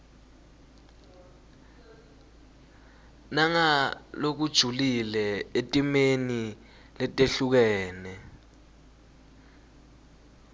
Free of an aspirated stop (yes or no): yes